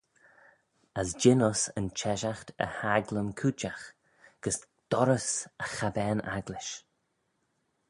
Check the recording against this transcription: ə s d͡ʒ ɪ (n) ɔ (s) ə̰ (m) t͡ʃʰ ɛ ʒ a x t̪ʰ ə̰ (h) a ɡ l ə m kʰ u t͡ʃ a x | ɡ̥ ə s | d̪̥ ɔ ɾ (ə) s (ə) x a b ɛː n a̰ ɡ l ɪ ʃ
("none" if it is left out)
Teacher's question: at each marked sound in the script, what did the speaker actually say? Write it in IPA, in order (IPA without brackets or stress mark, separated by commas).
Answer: n, s, n, h, ə, ə